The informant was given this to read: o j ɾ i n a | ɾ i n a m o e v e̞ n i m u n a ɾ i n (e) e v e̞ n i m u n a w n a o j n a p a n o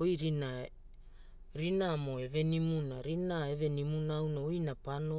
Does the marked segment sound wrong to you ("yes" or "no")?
yes